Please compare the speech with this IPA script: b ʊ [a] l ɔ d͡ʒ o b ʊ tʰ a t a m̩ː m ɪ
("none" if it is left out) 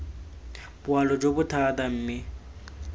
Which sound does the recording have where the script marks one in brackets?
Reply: a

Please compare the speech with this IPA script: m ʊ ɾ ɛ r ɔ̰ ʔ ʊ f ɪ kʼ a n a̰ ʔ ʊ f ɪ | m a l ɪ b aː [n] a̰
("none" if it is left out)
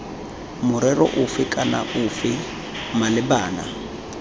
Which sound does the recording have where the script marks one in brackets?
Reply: n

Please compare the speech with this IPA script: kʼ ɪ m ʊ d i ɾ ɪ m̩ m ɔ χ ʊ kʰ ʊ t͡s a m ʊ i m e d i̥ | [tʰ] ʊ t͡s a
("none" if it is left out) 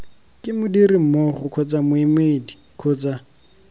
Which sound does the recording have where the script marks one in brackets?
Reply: kʰ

